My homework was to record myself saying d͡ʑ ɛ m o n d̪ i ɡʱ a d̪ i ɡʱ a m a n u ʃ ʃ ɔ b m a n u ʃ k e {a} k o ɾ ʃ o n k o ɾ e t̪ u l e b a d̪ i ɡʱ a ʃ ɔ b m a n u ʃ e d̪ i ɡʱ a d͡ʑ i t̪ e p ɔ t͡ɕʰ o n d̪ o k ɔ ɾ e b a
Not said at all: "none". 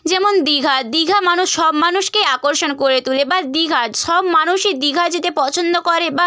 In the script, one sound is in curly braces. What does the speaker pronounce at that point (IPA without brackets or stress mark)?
a